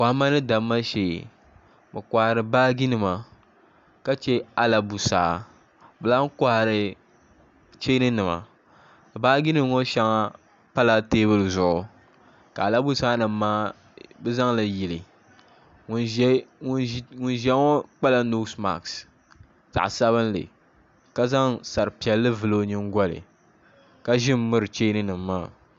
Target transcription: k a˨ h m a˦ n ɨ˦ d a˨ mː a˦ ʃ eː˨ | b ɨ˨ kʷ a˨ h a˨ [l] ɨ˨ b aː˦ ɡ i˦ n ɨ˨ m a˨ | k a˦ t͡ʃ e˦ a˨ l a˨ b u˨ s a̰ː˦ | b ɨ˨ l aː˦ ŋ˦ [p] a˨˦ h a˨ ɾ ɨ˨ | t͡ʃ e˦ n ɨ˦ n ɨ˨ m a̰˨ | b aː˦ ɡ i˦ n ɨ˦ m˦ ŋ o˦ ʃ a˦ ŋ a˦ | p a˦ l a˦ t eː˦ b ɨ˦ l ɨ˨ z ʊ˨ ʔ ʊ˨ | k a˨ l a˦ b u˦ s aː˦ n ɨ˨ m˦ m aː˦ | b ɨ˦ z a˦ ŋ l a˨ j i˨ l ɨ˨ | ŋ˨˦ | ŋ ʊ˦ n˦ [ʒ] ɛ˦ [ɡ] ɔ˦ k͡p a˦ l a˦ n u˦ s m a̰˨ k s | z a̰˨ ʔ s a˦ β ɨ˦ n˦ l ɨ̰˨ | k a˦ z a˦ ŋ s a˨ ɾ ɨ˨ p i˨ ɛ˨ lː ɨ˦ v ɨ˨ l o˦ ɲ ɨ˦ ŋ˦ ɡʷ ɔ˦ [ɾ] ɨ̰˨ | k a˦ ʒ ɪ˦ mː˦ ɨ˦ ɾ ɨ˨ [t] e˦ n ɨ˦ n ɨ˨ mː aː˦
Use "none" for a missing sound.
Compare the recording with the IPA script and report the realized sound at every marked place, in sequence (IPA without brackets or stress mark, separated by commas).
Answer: ɾ, k, ʒ, ŋ, l, t͡ʃ